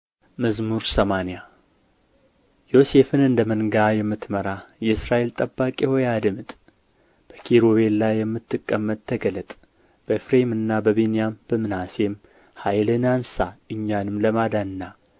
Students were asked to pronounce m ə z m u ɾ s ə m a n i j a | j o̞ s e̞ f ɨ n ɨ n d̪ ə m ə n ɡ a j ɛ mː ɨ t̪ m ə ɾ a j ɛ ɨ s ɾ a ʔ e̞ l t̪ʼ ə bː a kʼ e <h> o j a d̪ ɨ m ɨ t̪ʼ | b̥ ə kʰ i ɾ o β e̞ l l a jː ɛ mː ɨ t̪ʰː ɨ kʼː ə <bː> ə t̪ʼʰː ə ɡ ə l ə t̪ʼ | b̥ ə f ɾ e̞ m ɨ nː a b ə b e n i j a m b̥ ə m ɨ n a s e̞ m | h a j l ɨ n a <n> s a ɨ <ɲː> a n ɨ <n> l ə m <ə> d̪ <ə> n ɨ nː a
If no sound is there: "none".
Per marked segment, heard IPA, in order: h, mː, n, ɲː, m, a, a

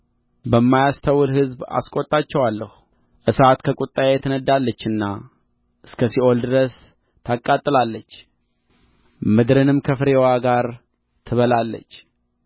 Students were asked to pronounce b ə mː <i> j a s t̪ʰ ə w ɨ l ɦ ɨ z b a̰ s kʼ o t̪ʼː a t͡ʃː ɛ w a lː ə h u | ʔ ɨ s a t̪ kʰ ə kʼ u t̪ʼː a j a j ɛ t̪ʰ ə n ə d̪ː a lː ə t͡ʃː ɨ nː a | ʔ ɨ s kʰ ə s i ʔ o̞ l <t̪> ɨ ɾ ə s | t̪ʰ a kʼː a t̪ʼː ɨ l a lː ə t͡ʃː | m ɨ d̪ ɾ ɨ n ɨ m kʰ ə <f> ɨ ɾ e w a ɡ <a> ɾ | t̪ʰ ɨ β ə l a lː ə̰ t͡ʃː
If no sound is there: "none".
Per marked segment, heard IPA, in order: a, d̪, f, a

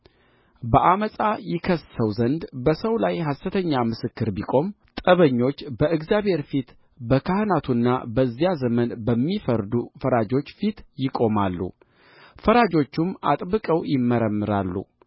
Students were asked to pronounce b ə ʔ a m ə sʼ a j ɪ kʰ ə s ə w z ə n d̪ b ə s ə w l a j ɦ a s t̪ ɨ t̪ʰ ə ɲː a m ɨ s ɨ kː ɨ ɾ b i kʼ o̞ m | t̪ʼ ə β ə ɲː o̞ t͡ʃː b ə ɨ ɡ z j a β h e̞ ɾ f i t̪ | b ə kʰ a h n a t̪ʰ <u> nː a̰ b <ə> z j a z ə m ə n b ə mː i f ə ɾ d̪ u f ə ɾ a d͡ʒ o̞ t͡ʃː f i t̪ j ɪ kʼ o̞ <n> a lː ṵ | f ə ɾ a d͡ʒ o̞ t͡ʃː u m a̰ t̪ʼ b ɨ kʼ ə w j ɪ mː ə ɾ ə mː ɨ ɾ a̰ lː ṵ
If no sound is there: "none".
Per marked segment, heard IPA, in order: u, ə, m

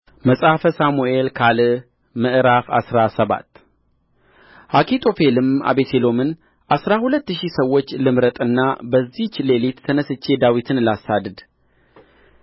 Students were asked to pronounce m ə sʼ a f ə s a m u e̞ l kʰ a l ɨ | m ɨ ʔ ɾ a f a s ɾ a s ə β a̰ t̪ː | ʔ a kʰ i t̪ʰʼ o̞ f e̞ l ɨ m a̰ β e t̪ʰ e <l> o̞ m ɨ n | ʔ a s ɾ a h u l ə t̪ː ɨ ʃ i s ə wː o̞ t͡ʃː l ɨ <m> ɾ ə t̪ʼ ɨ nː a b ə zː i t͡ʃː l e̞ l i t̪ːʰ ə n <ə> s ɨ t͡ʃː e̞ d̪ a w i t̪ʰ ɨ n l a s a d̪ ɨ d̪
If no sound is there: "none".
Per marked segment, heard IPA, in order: l, m, ə

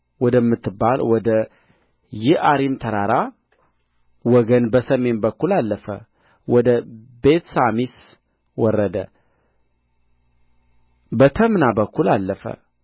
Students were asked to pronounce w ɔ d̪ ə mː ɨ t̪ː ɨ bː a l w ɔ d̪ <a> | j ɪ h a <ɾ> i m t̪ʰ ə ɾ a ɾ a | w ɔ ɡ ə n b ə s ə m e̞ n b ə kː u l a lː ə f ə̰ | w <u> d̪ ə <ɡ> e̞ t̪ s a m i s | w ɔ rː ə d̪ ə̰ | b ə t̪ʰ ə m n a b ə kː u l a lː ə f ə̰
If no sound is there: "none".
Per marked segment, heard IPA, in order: ə, ɾ, ɔ, b

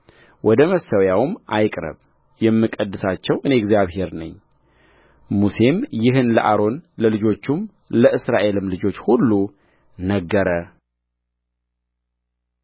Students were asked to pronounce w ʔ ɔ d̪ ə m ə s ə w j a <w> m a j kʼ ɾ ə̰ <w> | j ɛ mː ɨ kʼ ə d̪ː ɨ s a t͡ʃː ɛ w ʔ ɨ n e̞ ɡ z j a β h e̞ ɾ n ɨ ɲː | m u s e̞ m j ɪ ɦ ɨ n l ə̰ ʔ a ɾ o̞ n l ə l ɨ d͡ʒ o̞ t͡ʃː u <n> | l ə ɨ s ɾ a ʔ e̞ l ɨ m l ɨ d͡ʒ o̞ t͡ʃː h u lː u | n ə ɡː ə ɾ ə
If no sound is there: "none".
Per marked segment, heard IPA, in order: w, β, m

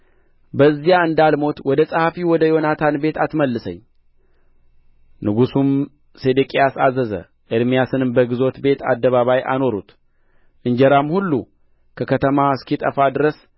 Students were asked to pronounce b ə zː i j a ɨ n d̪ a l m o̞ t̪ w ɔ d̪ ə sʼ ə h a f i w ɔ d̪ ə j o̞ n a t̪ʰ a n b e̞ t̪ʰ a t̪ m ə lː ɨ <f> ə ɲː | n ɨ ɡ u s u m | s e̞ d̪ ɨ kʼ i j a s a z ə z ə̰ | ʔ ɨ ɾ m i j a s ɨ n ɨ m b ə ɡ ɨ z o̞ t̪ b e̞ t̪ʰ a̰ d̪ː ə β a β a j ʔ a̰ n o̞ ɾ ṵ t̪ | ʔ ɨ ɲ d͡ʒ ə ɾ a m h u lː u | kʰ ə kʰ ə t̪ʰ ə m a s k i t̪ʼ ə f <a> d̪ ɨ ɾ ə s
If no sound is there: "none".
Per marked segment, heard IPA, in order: s, a

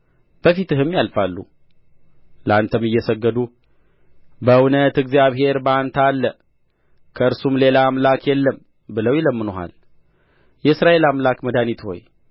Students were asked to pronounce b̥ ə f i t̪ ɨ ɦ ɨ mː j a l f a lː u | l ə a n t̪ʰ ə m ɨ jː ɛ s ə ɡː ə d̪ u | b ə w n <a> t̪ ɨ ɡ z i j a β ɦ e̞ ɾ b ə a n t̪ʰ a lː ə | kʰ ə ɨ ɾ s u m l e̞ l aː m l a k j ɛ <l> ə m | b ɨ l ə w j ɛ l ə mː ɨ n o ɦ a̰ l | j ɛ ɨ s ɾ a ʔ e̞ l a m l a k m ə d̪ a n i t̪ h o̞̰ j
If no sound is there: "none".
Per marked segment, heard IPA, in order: ə, lː

